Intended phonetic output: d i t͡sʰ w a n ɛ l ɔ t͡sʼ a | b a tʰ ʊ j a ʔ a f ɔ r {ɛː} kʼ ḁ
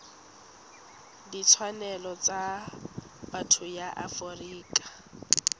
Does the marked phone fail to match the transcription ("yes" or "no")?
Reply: yes